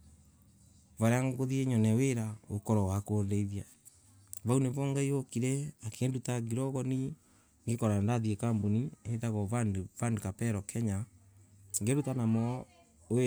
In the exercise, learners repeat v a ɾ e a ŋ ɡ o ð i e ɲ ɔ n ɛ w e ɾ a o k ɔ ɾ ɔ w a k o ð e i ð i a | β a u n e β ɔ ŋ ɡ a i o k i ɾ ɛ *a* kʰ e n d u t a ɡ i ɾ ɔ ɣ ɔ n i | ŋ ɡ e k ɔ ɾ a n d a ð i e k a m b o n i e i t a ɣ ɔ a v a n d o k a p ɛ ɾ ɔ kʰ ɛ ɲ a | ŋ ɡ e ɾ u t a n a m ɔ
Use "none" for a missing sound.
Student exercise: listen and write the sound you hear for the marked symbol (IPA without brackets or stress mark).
a